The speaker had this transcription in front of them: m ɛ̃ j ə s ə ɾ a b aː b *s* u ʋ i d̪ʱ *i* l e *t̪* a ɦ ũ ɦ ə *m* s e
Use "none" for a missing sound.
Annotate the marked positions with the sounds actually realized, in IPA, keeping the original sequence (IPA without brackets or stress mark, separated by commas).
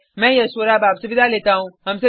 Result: s, a, t̪, m